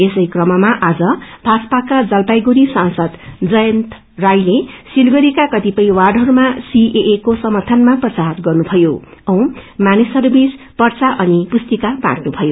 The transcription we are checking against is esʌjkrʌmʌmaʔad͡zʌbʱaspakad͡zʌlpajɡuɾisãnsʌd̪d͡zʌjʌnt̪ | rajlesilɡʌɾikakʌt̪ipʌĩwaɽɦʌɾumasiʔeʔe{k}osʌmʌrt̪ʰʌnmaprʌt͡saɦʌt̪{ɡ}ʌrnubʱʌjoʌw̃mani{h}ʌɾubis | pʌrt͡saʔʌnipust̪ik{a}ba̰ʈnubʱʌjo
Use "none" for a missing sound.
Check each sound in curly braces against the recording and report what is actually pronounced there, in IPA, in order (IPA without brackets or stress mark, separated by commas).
k, ɡ, s, a